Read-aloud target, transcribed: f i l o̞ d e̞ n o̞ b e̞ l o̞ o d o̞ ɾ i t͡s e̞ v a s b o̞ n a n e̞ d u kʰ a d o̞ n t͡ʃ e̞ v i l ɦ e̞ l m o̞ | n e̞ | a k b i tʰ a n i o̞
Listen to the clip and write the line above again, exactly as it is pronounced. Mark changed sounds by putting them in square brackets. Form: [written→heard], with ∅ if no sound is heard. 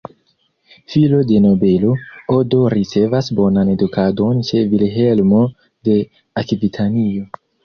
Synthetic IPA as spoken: f i l o̞ d e̞ n o̞ b e̞ l o̞ o d o̞ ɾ i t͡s e̞ v a s b o̞ n a n e̞ d u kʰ a d o̞ n t͡ʃ e̞ v i l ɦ e̞ l m o̞ | [n→d] e̞ | a k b i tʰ a n i o̞